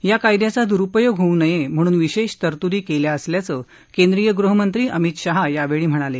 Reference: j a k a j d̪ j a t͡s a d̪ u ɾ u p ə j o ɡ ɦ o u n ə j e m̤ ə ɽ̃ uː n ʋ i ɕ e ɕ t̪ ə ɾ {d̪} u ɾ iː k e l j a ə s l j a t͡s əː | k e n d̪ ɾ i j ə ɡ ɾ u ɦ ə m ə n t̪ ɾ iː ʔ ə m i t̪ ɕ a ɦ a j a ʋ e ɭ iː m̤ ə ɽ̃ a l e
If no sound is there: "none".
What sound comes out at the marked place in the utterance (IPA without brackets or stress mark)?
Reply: t̪